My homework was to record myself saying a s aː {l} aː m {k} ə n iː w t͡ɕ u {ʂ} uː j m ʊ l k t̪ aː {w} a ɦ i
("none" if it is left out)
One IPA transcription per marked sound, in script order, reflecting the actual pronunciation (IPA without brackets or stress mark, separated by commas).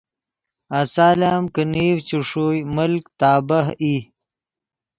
l, k, ʂ, b